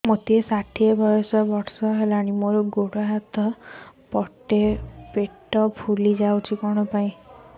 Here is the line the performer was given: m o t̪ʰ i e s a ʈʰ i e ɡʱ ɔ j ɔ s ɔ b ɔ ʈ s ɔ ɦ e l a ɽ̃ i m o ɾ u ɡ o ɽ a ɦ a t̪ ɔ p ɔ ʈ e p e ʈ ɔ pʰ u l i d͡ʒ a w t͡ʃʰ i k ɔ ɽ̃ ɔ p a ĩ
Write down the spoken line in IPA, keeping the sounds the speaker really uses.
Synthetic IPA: m o t̪ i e s a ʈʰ i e bʱ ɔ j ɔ s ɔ b ɔ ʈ s ɔ ɦ e l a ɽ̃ i m o ɾ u ɡ o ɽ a ɦ a t̪ ɔ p ɔ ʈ e p e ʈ ɔ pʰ u l i d͡ʒ a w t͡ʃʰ i k ɔ ɽ̃ ɔ p a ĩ